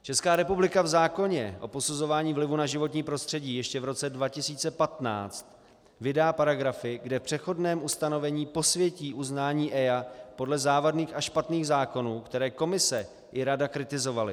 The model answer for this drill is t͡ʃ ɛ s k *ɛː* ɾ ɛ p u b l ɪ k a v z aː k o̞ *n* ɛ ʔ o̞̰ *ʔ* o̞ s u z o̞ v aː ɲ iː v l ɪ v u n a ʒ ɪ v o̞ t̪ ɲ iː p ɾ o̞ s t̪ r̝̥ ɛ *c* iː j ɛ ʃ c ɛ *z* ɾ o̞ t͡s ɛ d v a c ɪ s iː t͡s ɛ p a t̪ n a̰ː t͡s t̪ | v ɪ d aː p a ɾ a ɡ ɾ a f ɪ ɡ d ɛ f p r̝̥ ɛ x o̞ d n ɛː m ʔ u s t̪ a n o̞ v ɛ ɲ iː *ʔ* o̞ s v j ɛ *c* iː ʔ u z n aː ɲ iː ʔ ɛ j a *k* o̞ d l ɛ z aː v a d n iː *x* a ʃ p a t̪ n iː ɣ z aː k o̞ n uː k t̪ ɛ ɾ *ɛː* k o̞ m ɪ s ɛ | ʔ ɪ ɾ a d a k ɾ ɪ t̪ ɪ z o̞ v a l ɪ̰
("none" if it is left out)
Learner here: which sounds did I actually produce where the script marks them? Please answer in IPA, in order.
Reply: aː, ɲ, p, ɟ, v, p, c, p, x, ɛː

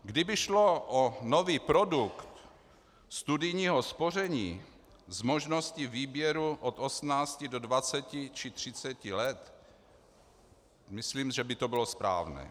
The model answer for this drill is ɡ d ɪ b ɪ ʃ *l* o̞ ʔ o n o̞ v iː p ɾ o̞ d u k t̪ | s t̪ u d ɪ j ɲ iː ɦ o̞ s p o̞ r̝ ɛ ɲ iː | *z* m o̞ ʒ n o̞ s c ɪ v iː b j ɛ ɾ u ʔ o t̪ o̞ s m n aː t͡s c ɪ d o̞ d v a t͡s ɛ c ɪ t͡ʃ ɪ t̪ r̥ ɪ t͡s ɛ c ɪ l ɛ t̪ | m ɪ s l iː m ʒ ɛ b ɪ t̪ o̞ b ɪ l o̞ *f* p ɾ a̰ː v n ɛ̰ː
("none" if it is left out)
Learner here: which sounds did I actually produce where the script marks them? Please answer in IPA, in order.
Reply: l, z, s

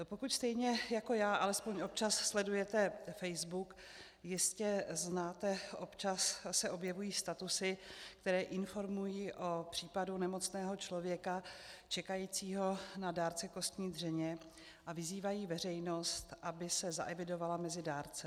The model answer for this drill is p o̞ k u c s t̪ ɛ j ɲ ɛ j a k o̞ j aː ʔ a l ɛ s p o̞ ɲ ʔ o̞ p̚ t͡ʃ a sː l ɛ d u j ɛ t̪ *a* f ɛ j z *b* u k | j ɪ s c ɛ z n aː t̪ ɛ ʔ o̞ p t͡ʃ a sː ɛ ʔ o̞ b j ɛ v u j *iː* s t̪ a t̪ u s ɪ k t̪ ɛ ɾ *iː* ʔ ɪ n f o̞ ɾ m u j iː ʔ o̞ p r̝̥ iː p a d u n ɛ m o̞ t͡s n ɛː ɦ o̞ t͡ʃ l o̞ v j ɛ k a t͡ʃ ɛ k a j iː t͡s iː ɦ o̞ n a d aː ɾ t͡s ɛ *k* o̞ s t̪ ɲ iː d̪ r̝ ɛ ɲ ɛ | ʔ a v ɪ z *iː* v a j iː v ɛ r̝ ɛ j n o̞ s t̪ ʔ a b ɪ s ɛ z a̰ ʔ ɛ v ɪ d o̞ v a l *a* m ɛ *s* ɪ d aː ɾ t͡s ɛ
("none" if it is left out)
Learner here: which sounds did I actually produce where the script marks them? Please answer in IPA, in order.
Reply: ɛ, b, iː, ɛː, k, iː, a, z

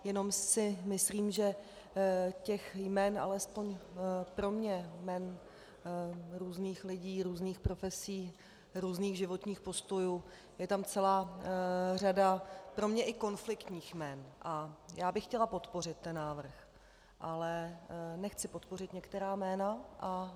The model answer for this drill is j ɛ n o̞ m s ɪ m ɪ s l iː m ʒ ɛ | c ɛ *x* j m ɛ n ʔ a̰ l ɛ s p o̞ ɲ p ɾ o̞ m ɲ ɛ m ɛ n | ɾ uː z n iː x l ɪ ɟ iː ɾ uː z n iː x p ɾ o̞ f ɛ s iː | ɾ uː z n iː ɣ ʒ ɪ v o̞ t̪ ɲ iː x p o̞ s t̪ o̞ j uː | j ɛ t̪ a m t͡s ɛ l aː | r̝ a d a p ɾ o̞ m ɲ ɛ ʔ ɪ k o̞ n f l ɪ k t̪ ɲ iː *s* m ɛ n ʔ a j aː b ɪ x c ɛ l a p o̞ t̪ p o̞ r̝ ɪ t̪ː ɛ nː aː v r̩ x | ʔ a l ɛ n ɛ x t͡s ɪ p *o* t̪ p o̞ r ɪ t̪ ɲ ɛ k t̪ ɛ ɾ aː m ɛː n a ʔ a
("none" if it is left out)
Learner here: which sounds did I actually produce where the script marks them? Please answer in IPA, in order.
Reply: x, x, o

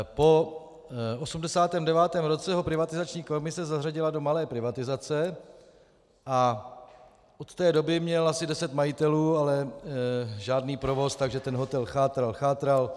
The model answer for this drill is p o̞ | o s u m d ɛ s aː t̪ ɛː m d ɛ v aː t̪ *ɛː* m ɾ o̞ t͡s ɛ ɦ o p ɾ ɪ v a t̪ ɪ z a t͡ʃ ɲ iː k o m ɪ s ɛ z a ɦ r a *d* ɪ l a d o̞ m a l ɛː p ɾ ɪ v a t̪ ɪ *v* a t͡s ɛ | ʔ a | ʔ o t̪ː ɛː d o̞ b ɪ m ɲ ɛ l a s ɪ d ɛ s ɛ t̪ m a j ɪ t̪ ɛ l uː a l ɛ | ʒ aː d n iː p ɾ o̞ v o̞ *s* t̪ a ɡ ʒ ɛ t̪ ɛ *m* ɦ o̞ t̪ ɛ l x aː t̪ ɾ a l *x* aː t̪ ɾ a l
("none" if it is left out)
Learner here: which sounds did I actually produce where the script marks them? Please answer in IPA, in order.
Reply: ɛː, ɟ, z, s, n, x

